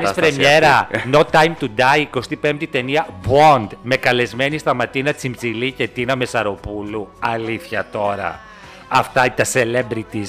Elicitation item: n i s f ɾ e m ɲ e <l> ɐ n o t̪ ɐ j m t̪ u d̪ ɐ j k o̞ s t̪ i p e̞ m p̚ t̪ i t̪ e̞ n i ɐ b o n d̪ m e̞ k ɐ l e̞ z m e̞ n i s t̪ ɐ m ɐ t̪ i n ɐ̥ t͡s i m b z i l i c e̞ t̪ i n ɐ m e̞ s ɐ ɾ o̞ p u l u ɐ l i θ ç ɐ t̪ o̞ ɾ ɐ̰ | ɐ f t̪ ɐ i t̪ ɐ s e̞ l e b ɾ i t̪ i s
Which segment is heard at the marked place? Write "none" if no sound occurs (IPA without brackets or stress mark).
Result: ɾ